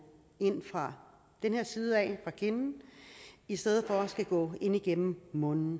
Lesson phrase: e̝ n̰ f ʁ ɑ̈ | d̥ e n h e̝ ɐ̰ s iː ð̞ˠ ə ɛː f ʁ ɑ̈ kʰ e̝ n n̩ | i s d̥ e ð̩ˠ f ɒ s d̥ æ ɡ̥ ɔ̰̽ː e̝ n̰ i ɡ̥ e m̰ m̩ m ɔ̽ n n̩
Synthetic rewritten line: e̝ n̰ f ʁ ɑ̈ | d̥ e n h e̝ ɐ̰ s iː ð̞ˠ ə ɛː f ʁ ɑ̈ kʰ e̝ n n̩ | i s d̥ e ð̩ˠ f ɒ s ɡ̥ æ ɡ̥ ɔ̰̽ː e̝ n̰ i ɡ̥ e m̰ m̩ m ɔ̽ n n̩